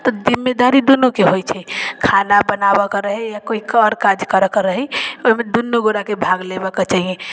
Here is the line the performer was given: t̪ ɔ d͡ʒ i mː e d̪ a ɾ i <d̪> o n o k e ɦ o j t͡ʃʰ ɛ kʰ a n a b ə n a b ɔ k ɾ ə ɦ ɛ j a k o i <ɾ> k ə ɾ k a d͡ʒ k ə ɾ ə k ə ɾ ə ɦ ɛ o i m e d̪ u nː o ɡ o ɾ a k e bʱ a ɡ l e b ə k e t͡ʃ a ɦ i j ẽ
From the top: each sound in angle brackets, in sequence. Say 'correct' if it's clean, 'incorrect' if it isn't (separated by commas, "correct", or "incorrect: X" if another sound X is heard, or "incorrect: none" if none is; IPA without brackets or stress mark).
correct, incorrect: none